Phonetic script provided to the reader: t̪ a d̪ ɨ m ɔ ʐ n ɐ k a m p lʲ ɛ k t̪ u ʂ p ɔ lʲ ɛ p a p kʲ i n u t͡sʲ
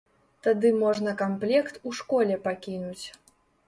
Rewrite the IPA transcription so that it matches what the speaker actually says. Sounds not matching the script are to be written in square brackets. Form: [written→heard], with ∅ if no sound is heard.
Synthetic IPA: t̪ a d̪ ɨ m ɔ ʐ n ɐ k a m p lʲ ɛ k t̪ u ʂ [p→k] ɔ lʲ ɛ p a [p→∅] kʲ i n u t͡sʲ